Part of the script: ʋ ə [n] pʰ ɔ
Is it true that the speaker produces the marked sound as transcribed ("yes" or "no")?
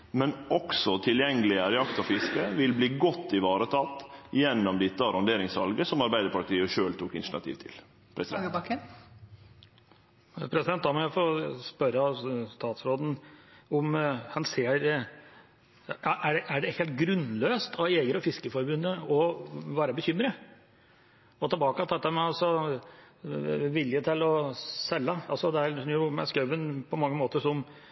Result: yes